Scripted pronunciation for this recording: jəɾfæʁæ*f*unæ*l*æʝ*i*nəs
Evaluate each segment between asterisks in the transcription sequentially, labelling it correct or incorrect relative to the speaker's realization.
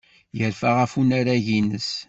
correct, incorrect, correct

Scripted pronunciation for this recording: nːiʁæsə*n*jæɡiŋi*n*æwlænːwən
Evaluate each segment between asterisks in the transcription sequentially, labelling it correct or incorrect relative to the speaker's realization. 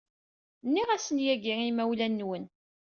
correct, incorrect

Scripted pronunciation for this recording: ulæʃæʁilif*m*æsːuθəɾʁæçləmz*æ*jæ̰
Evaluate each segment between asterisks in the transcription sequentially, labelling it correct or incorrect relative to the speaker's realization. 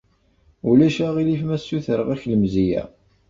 correct, incorrect

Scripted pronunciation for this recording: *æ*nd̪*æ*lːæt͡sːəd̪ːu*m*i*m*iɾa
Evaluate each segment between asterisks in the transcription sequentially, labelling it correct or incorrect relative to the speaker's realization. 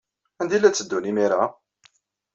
correct, incorrect, incorrect, correct

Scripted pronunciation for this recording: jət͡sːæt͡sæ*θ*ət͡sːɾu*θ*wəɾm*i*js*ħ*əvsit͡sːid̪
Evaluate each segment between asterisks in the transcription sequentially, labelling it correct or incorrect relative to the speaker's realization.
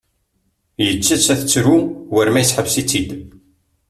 correct, incorrect, incorrect, correct

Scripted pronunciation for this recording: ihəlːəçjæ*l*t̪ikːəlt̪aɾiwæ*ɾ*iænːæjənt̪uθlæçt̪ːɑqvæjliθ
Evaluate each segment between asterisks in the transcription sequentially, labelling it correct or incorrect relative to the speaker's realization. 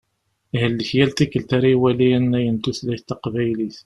correct, incorrect

